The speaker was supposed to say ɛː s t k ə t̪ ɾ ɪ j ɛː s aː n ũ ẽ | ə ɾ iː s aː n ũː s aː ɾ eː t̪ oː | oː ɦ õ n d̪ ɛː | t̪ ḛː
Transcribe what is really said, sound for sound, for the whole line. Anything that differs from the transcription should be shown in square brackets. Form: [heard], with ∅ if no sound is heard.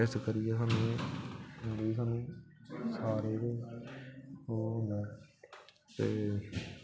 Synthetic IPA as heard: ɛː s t k ə [∅] ɾ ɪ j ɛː s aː n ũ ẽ | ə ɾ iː s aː n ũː s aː ɾ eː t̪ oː | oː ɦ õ n d̪ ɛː | t̪ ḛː